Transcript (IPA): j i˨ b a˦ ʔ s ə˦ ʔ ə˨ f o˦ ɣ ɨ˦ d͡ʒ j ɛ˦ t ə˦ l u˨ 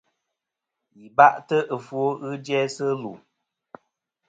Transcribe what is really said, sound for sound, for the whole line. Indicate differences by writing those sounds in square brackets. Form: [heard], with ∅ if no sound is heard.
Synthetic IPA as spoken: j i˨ b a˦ ʔ [t] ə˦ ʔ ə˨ f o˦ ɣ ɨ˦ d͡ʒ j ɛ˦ [s] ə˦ l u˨